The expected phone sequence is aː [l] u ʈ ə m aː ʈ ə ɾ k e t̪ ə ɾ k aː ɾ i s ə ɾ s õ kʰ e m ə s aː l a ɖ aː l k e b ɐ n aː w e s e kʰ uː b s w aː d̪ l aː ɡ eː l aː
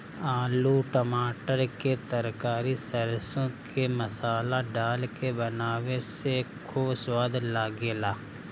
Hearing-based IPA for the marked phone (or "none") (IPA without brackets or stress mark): l